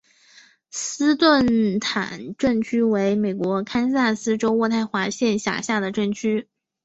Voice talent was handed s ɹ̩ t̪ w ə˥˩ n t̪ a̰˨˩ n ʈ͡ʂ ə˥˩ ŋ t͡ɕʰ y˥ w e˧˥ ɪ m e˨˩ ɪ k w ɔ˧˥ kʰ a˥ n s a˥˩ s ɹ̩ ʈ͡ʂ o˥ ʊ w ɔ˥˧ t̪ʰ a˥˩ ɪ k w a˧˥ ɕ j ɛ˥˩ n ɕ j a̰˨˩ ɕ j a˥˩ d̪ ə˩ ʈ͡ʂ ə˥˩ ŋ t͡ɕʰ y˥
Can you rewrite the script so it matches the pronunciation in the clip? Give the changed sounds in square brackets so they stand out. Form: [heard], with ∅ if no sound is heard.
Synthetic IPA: s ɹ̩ t̪ w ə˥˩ n [t̪ʰ] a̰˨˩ n ʈ͡ʂ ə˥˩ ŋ t͡ɕʰ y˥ w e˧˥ ɪ m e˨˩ ɪ k w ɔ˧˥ kʰ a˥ n s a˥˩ s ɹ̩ ʈ͡ʂ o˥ ʊ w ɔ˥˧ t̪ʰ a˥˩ ɪ [x] w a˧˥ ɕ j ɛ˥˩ n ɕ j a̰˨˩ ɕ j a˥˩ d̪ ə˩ ʈ͡ʂ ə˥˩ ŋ t͡ɕʰ y˥